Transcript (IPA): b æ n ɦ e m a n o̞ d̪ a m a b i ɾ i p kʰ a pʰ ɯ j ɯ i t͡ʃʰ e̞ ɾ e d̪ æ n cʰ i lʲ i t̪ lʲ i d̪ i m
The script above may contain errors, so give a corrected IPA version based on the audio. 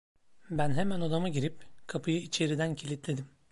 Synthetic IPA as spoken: b æ n ɦ e m æ n o̞ d̪ a m a ɟ i ɾ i p kʰ a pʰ ɯ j ɯ i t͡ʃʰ e̞ ɾ i d̪ æ n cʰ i lʲ i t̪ lʲ e d̪ i m